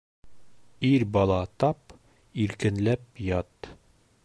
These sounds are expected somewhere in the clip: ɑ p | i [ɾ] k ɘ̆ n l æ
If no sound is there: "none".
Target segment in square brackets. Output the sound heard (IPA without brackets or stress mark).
ɾ